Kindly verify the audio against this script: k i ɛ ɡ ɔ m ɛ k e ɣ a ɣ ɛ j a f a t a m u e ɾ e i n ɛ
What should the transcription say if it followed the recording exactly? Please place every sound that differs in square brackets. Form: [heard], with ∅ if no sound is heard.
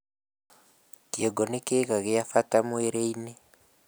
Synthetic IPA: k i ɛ ɡ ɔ [n] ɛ k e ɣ a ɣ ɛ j a f a t a m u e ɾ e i n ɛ